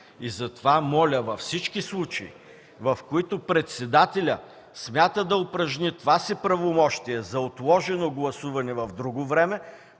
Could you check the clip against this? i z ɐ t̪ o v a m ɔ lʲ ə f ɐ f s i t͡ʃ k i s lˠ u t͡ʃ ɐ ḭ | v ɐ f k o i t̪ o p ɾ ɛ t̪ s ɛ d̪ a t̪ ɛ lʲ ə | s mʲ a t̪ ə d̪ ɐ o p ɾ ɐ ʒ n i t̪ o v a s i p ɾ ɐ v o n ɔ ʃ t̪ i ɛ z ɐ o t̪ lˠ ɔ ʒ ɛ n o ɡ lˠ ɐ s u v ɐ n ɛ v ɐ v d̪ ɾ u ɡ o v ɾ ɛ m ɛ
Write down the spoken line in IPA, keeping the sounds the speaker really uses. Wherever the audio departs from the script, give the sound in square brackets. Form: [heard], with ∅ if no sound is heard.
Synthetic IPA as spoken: i z ɐ t̪ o v a m ɔ lʲ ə [v] ɐ f s i t͡ʃ k i s lˠ u t͡ʃ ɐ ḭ | v ɐ f k o i t̪ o p ɾ ɛ t̪ s ɛ d̪ a t̪ ɛ lʲ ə | s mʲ a t̪ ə d̪ ɐ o p ɾ ɐ ʒ n i t̪ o v a s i p ɾ ɐ v o [m] ɔ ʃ t̪ i ɛ z ɐ o t̪ lˠ ɔ ʒ ɛ n o ɡ lˠ ɐ s u v ɐ n ɛ v ɐ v d̪ ɾ u ɡ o v ɾ ɛ m ɛ